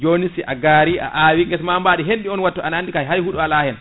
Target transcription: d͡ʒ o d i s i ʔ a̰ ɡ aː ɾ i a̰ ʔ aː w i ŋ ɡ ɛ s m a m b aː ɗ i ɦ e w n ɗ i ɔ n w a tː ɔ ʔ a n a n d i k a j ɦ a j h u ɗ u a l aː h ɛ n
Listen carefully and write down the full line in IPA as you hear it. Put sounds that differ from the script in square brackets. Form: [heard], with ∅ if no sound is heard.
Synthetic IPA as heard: d͡ʒ o [n] i s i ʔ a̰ ɡ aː ɾ i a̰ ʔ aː w i ŋ ɡ ɛ s m a m b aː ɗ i ɦ e [∅] n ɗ i ɔ n w a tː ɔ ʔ a n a n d i k a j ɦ a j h u ɗ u a l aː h ɛ n